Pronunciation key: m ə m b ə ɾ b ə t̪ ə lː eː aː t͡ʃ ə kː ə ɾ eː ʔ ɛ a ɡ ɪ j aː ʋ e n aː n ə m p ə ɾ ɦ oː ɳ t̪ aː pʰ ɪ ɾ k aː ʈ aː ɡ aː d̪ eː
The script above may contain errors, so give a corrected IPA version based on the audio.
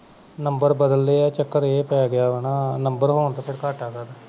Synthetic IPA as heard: n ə m b ə ɾ b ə d̪ ə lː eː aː t͡ʃ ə kː ə ɾ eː p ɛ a ɡ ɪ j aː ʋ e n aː n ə m b ə ɾ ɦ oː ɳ t̪ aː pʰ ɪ ɾ k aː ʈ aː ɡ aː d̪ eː